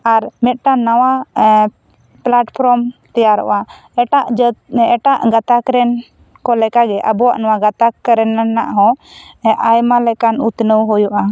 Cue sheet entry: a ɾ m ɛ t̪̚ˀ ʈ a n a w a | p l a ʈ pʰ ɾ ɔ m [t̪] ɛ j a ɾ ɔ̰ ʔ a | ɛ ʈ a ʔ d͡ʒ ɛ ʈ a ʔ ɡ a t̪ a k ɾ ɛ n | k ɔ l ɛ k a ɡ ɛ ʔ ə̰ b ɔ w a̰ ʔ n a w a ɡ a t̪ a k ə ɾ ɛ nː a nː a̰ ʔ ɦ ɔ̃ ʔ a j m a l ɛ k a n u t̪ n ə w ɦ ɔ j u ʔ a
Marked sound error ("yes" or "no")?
no